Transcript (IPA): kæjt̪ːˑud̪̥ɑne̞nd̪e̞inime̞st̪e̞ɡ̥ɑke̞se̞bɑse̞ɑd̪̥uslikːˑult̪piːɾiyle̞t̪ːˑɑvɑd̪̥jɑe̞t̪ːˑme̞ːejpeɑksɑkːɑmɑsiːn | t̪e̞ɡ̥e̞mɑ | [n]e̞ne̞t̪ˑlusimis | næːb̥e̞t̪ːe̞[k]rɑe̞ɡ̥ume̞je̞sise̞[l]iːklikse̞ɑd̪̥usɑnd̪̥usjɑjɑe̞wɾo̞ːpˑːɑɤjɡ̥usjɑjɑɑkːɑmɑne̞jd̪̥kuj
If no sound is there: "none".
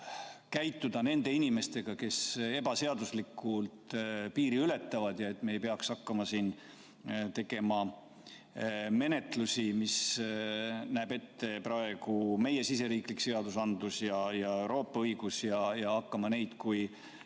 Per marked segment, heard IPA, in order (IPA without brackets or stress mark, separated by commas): m, p, ɾ